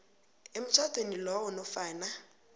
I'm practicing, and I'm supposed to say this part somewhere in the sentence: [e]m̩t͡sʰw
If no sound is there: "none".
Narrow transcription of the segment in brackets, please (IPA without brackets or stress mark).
e